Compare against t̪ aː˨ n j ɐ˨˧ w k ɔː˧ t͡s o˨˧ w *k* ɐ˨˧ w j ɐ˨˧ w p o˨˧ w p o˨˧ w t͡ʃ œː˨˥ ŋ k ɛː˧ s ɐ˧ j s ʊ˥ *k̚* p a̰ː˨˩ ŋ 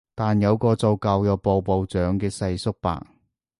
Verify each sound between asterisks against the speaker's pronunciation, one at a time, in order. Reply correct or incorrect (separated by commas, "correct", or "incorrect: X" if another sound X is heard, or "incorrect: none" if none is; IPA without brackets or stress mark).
correct, correct